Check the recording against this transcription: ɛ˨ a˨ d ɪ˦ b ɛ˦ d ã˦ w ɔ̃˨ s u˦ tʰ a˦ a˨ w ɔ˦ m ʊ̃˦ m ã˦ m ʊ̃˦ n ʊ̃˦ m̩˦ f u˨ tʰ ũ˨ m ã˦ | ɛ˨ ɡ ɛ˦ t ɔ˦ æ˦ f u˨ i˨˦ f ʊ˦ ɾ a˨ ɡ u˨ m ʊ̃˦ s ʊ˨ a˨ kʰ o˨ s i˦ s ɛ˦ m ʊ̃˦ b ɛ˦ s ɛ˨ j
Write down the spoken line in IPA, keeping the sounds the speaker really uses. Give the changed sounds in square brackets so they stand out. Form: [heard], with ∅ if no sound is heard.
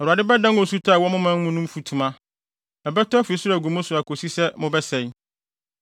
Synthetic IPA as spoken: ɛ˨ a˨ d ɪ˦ b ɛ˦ d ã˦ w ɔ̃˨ s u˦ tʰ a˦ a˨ w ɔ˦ m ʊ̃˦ m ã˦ m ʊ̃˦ n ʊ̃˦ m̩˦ f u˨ tʰ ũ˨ m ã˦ | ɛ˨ [b] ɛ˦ t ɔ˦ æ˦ f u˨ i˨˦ [s] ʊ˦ ɾ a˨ ɡ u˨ m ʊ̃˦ s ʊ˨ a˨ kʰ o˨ s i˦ s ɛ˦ m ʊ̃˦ b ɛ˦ s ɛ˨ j